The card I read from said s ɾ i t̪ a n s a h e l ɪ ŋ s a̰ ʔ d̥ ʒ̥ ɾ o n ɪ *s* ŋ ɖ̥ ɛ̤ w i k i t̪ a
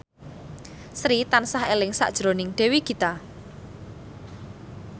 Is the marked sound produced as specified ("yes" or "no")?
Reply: no